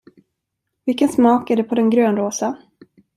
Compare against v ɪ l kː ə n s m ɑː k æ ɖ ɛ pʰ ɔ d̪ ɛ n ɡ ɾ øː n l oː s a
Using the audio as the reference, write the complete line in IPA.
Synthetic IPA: v ɪ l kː ə n s m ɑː k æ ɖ ɛ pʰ ɔ d̪ ɛ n ɡ ɾ øː n ɾ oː s a